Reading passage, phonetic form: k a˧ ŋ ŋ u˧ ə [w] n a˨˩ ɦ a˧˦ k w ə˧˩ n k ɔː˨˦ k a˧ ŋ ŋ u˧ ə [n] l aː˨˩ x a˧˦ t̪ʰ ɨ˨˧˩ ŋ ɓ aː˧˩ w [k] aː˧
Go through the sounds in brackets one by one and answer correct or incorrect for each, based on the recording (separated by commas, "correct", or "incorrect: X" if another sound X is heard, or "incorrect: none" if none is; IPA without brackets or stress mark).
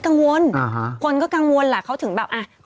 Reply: incorrect: none, correct, incorrect: ʔ